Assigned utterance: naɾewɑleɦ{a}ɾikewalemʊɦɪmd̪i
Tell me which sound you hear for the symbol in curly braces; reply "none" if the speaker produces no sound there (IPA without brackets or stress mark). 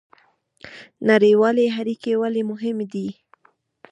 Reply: a